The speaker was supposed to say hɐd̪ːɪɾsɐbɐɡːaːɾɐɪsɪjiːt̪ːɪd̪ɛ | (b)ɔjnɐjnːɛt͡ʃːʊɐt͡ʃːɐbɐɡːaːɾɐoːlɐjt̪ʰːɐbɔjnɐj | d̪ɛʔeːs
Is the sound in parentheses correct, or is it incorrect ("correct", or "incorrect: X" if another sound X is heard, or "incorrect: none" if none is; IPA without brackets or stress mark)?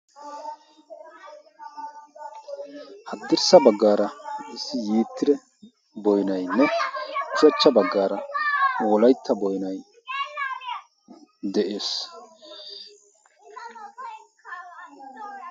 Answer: correct